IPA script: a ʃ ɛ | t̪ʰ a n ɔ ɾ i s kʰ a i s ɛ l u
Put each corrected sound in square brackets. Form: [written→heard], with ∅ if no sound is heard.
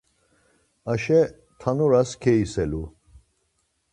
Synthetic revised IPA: a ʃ ɛ | t̪ʰ a n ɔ ɾ [i→a] s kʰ [a→ɛ] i s ɛ l u

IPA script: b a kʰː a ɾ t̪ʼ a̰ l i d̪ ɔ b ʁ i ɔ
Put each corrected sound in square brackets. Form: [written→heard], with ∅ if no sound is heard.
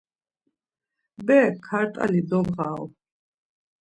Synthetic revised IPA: b [a→ɛ] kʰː a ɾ t̪ʼ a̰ l i d̪ ɔ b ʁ [i→a] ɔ

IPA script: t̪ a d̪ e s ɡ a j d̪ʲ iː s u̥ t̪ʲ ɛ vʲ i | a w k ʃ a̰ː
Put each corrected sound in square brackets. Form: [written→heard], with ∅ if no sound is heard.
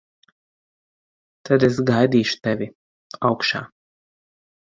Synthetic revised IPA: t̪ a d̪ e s ɡ a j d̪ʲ iː [s→ʃ] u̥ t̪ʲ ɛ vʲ i | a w k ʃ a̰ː

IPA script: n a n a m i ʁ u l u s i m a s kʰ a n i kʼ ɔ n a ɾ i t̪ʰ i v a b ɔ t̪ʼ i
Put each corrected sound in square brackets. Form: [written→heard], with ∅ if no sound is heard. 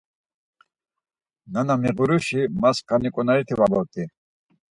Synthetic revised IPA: n a n a m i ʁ u [l→ɾ] u [s→ʃ] i m a s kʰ a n i kʼ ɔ n a ɾ i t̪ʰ i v a b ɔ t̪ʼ i

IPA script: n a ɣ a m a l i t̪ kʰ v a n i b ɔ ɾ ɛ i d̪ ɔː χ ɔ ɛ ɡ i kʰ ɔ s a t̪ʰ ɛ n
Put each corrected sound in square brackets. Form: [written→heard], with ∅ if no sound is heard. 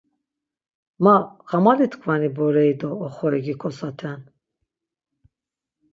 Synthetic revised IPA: [n→m] a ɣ a m a l i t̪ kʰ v a n i b ɔ ɾ ɛ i d̪ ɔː χ ɔ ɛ ɡ i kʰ ɔ s a t̪ʰ ɛ n

